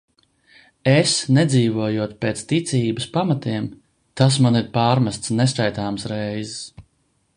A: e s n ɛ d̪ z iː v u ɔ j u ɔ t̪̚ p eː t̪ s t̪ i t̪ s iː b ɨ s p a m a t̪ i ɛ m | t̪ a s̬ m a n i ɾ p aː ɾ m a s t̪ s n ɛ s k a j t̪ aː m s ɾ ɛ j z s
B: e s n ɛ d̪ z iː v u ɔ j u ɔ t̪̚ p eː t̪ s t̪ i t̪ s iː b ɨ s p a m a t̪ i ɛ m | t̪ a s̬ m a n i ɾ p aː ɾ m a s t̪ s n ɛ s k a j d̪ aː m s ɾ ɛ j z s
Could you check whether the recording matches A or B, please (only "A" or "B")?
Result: A